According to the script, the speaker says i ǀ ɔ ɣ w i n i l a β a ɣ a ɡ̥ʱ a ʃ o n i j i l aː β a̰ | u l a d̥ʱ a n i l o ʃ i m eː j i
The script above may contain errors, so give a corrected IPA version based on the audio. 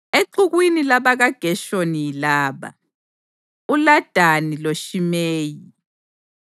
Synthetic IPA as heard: e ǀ u ɣ w i n i l a β a ɣ a ɡ̥ʱ ɛ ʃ o n i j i l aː β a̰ | u l a d̥ʱ a n i l o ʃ i m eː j i